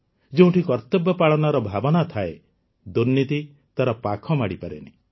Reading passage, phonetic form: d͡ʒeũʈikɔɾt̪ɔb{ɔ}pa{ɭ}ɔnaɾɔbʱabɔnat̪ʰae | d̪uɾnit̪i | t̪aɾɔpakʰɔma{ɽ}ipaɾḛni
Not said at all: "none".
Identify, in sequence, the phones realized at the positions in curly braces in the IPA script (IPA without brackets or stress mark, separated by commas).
ɔ, ɭ, ɽ